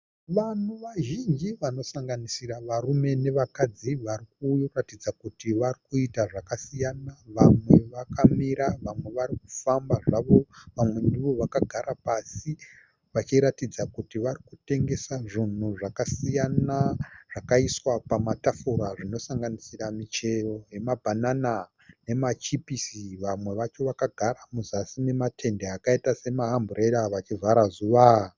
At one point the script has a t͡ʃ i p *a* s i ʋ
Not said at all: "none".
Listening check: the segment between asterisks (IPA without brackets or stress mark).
i